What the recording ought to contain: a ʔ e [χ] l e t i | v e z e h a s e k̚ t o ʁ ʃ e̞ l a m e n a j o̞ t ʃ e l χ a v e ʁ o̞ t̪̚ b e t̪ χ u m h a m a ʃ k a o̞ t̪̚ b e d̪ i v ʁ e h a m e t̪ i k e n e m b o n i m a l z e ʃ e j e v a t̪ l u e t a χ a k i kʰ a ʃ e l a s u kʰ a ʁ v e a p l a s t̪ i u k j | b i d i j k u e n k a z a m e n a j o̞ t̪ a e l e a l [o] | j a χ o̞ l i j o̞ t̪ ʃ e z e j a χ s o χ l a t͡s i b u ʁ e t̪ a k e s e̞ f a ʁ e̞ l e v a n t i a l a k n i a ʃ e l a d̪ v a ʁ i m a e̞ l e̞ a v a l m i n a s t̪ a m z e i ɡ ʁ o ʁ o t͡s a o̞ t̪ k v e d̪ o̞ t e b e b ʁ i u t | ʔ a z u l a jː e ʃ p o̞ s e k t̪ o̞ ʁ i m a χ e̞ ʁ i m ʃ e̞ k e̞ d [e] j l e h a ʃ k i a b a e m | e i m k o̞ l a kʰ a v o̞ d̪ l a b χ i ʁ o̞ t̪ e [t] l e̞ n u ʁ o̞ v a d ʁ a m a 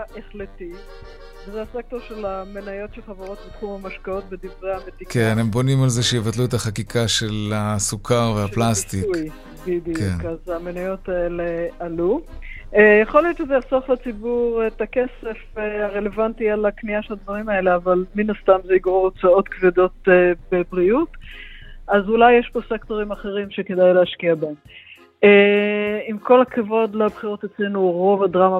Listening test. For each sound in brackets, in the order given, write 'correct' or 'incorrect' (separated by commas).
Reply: correct, incorrect, incorrect, incorrect